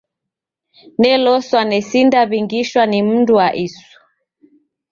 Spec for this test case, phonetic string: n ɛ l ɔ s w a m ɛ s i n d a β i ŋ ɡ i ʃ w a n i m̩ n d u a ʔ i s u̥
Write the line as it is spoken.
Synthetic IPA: n ɛ l ɔ s w a n ɛ s i n d a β i ŋ ɡ i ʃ w a n i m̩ n d u a ʔ i s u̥